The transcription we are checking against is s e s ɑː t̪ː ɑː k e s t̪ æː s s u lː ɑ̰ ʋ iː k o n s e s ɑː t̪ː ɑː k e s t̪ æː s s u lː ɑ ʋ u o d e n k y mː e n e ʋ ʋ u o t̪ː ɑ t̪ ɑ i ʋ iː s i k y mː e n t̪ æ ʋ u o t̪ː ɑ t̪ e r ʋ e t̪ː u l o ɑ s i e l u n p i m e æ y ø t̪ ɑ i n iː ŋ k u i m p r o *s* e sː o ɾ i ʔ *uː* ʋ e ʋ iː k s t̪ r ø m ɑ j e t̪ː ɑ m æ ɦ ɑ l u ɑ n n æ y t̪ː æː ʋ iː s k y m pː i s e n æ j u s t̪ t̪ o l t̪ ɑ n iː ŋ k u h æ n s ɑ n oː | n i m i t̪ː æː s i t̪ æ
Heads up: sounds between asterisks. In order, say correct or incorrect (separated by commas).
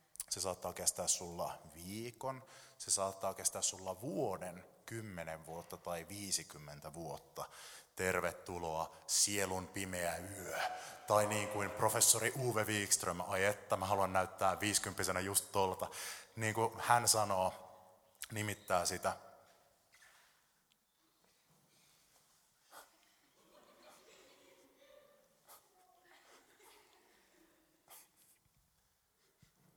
incorrect, correct